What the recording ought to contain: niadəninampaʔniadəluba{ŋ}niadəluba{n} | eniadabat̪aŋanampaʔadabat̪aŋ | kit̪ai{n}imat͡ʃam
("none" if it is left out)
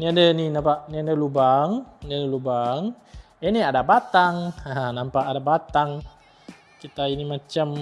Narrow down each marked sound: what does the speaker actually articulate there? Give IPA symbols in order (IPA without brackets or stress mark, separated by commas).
ŋ, ŋ, n